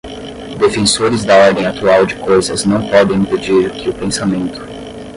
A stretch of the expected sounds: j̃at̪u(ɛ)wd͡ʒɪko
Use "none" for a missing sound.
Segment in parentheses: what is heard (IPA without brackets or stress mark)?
a